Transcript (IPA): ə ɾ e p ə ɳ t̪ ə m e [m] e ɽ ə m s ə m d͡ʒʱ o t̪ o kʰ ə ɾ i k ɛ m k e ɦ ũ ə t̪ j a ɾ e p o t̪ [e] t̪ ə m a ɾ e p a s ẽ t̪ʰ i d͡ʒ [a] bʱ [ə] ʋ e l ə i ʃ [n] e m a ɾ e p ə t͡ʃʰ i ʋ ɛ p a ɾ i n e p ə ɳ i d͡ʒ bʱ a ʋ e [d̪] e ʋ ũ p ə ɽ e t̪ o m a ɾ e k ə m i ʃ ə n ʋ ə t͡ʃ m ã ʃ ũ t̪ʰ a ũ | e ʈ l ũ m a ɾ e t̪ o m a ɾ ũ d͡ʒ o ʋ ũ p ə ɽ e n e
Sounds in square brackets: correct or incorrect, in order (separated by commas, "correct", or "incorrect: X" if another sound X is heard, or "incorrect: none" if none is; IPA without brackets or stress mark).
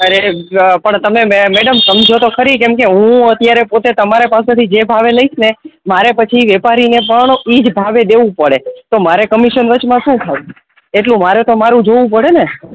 correct, correct, incorrect: e, incorrect: a, correct, correct